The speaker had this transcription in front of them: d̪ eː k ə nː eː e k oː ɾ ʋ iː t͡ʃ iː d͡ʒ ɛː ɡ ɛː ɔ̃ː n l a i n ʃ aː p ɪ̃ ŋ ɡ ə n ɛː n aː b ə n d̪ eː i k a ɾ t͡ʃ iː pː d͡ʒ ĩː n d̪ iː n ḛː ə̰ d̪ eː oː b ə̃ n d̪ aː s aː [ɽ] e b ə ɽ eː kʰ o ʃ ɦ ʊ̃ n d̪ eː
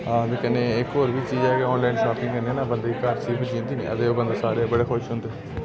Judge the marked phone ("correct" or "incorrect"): incorrect